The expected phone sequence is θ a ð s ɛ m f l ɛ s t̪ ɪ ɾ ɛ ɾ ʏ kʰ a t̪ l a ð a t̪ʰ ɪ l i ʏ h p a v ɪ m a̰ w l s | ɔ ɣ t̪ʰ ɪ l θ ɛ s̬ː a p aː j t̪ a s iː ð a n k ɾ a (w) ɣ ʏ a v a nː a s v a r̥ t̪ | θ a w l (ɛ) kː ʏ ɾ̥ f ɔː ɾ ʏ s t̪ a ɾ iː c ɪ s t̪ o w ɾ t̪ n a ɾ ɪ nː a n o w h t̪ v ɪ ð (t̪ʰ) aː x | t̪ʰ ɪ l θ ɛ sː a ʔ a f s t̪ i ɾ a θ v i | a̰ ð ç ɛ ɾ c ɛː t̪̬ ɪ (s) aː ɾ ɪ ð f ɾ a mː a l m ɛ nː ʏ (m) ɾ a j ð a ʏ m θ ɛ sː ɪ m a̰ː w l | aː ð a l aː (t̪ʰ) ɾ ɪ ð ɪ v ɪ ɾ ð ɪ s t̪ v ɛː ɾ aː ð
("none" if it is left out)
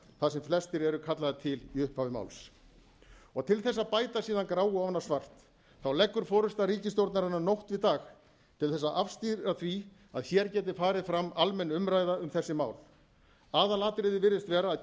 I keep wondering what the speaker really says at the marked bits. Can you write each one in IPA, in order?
w, ɛ, t̪, f, m, t̪

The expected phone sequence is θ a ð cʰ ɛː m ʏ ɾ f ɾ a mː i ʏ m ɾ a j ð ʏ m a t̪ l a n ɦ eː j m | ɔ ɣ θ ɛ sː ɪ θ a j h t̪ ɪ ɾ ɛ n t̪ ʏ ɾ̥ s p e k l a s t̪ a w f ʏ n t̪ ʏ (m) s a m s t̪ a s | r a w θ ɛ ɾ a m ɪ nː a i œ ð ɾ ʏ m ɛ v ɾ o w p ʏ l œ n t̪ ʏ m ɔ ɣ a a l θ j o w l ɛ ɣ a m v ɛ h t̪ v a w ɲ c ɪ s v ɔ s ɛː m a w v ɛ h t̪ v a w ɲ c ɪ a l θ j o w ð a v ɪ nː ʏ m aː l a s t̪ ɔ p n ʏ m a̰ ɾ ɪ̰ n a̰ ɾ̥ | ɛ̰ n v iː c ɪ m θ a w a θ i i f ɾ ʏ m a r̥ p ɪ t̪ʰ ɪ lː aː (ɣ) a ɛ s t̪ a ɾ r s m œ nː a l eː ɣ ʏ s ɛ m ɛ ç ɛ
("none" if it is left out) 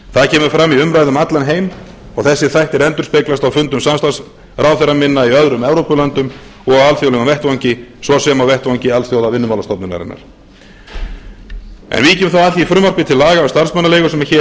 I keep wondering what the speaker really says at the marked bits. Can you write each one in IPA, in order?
m, ɣ

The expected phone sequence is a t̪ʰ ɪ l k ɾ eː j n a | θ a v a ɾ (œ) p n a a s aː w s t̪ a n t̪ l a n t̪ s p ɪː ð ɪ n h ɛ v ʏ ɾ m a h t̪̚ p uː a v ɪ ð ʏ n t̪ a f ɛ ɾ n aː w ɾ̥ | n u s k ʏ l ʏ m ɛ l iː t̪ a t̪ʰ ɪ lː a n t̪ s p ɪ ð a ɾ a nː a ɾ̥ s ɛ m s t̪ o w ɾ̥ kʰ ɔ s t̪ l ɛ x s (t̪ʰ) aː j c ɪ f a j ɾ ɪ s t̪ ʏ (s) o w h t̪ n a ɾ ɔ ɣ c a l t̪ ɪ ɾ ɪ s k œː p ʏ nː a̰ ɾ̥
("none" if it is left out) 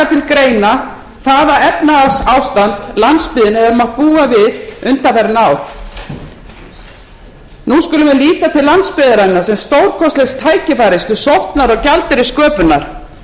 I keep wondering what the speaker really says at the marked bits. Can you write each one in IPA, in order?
ɛ, t̪ʰ, s

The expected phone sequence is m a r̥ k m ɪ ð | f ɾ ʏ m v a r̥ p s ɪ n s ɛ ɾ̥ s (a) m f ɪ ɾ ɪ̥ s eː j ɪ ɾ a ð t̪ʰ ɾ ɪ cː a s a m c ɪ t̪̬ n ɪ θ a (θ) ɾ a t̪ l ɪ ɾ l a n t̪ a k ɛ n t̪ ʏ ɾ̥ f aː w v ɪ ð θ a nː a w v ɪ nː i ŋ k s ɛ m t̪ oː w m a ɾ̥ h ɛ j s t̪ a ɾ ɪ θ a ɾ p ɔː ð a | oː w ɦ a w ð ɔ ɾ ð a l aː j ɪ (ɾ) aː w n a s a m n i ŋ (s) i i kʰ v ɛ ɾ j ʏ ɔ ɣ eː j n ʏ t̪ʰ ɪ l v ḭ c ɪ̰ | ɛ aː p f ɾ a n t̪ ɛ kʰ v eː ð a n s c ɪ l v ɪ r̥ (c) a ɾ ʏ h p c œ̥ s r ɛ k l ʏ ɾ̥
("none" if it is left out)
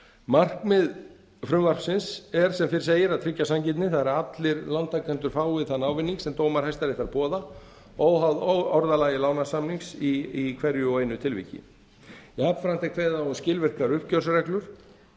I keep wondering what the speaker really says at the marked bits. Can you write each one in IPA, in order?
ɛ, ð, l, s, k

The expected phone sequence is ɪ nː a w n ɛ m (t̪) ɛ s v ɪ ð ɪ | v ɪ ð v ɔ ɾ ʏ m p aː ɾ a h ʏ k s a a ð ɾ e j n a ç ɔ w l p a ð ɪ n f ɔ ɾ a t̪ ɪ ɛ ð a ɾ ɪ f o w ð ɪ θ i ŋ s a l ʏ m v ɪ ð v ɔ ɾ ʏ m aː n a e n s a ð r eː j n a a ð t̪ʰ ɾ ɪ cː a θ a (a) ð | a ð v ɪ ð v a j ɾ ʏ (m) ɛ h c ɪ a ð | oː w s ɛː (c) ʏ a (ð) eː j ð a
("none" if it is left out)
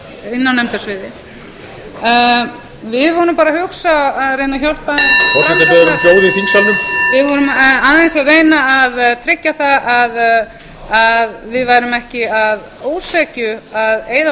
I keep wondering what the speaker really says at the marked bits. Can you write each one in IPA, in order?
t̪, a, m, c, ð

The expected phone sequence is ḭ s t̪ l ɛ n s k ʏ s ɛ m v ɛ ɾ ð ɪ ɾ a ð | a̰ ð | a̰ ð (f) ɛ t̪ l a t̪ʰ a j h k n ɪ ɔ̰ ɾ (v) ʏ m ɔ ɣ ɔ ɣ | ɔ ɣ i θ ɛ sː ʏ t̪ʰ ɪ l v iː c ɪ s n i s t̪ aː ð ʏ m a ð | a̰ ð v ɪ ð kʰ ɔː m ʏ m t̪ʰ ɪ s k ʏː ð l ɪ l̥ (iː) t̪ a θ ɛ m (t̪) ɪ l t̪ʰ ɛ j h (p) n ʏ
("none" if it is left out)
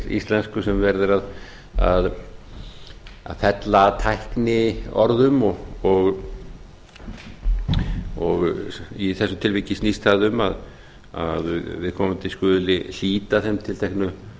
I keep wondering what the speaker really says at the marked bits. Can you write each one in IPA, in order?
f, ð, iː, t̪ʰ, k

